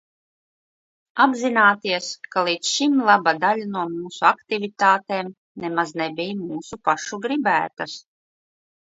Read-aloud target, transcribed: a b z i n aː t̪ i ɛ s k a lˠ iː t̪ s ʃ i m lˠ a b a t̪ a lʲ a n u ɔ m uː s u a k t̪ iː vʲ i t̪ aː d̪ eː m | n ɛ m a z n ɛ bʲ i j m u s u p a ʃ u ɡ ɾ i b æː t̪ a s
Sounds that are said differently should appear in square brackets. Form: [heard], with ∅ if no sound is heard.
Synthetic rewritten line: a b z i n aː t̪ i ɛ s k a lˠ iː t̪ s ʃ i m lˠ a b a [d̪] a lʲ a n u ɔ m uː s u a k t̪ [i] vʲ i t̪ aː [t̪] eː m | n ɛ m a z n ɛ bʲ i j m [uː] s u p a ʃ u ɡ ɾ i b æː t̪ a s